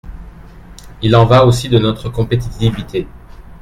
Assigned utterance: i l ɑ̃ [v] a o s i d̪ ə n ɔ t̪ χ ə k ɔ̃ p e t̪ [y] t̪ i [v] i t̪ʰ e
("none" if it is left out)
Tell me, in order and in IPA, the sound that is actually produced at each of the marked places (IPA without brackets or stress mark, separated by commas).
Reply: v, i, v